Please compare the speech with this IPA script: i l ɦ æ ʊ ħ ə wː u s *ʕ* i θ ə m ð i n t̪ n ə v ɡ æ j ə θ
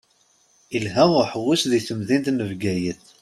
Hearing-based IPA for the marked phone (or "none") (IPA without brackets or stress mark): ð